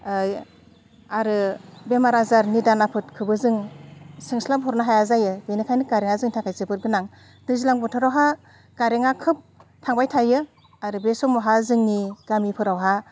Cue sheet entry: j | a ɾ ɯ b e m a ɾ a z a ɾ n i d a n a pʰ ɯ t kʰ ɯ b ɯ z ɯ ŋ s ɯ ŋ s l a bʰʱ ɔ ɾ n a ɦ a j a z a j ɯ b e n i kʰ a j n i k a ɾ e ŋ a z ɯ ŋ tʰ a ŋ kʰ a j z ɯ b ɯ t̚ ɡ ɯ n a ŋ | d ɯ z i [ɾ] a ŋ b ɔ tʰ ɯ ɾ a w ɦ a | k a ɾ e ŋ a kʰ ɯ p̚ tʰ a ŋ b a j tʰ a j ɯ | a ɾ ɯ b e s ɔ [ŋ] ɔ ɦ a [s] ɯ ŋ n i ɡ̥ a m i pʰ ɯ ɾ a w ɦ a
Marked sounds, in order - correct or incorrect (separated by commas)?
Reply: incorrect, incorrect, incorrect